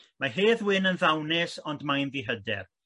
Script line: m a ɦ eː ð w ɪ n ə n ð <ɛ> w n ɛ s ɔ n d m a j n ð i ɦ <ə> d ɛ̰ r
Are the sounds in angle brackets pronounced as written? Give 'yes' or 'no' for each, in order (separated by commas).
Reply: no, yes